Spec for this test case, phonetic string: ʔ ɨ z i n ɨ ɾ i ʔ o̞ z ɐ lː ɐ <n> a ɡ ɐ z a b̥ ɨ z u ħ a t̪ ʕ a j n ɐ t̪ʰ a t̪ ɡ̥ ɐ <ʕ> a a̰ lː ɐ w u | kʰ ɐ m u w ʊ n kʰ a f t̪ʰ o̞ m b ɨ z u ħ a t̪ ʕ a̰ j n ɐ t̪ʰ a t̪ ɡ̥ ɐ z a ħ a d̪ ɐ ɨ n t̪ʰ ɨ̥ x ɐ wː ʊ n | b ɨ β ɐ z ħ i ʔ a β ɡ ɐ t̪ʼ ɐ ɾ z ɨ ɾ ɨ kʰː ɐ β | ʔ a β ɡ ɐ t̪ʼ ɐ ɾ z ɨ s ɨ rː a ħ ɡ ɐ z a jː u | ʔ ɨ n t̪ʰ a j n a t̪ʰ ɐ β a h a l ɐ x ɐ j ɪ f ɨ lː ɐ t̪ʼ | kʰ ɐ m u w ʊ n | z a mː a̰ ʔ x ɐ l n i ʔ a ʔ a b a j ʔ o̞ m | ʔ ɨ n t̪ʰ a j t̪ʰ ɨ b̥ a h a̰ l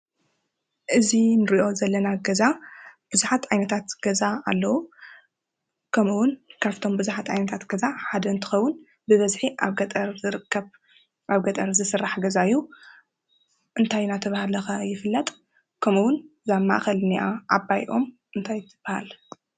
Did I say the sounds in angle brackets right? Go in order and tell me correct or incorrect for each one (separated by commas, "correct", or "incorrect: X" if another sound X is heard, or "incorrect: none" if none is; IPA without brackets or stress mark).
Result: correct, incorrect: z